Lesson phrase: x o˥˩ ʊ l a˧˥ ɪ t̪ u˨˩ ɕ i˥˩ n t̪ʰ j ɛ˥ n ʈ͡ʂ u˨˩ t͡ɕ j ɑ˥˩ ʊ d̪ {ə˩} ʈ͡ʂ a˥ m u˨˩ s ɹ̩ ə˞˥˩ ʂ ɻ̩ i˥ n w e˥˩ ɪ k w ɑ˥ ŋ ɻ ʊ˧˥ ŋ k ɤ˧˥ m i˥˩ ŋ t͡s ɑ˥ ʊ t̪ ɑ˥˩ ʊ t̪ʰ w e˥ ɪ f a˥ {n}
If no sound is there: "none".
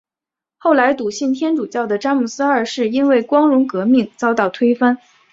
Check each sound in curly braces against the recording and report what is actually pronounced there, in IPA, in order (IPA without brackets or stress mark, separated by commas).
ə˩, n